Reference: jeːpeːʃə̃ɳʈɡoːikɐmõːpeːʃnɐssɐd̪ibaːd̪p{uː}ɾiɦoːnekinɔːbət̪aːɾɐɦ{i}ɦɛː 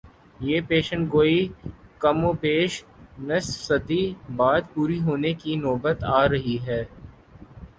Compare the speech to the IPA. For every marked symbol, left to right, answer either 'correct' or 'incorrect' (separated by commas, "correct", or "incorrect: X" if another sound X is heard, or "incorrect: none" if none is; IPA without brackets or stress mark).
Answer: correct, correct